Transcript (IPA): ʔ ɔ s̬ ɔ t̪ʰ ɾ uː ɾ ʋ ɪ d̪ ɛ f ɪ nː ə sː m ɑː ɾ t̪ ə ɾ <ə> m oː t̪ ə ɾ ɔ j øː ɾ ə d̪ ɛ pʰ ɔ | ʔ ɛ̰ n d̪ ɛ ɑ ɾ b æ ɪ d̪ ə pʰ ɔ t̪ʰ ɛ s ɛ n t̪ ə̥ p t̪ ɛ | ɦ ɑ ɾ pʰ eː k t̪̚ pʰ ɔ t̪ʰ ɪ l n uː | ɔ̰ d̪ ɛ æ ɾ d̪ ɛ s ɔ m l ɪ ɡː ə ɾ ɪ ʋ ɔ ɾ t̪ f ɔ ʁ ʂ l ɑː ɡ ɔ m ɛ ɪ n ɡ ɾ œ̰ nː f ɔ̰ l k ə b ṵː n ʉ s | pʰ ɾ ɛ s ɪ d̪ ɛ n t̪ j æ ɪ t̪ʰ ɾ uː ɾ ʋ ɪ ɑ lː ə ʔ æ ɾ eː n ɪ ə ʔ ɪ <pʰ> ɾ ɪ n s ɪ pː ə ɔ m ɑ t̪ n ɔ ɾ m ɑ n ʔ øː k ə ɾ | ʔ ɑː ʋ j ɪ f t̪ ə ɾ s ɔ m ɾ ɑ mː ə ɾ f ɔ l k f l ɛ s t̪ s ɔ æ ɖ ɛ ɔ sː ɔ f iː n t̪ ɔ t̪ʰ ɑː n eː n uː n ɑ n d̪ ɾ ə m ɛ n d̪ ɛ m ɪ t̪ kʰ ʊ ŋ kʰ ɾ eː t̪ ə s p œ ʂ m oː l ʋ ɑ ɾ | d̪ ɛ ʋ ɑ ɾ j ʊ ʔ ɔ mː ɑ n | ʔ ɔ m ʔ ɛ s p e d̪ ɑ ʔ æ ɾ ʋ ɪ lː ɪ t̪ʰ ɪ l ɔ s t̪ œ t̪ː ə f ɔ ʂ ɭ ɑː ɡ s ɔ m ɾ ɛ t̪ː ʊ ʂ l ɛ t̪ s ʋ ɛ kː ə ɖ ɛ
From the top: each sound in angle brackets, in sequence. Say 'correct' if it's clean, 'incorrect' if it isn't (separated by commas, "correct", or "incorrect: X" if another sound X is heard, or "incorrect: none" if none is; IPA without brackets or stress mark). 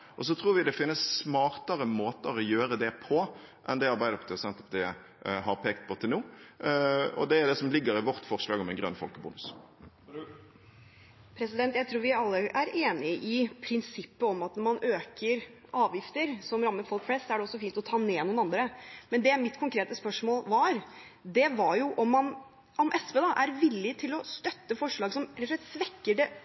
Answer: correct, correct